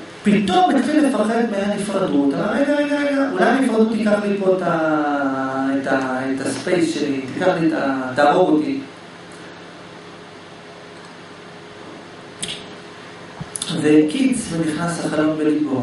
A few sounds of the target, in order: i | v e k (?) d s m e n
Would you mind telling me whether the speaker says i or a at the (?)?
i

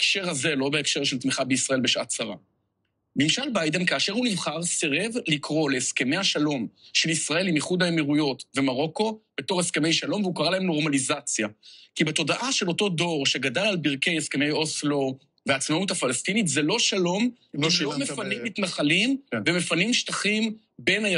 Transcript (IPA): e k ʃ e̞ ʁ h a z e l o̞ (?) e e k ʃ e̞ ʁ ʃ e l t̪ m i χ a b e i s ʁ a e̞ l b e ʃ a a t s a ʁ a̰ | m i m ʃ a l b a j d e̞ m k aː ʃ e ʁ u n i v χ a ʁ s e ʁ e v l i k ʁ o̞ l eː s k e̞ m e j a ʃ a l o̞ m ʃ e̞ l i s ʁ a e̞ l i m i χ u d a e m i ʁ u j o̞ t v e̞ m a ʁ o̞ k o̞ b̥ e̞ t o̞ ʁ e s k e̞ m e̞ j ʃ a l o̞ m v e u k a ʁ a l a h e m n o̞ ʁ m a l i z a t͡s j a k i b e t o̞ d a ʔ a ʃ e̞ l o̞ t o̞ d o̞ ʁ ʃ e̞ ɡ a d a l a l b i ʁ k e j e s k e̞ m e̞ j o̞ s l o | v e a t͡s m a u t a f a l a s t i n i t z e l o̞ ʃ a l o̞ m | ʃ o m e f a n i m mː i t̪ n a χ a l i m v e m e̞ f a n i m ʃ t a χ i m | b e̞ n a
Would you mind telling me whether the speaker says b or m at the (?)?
b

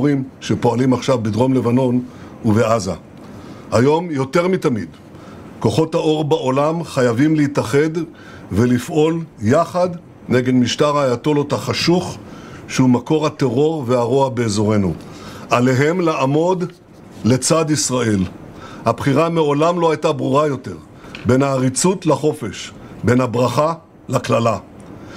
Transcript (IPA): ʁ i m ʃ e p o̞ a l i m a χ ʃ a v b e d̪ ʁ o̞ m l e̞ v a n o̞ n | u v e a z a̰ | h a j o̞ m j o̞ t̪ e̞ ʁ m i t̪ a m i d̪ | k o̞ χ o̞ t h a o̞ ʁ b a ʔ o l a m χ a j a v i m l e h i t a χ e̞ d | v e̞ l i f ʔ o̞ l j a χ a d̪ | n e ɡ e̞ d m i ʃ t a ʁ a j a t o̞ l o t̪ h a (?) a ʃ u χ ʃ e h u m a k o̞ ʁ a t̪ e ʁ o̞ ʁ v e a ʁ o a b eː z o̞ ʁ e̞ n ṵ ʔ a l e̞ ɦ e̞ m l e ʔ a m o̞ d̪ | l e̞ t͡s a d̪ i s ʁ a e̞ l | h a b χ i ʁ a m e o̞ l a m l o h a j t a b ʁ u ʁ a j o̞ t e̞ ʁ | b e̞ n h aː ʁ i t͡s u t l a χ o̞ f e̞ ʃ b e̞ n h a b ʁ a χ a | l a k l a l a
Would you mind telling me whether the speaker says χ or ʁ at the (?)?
χ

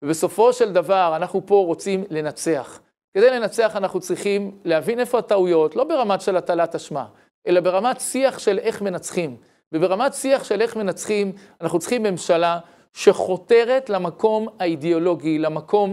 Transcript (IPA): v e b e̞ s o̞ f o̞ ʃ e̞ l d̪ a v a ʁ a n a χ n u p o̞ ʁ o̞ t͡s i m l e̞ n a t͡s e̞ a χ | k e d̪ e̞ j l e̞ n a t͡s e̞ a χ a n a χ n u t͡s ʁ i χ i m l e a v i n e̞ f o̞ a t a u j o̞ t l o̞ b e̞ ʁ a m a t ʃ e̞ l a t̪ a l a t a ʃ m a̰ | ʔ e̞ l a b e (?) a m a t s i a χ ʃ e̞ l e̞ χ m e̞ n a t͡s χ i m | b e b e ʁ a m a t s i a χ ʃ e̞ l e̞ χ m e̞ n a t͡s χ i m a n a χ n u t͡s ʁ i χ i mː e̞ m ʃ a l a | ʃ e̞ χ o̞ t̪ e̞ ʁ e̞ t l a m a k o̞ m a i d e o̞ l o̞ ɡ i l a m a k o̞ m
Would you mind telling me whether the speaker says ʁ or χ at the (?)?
ʁ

